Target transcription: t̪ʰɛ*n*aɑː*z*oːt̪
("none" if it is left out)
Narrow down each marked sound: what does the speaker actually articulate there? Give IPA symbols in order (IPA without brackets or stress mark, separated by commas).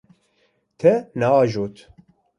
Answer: n, ʒ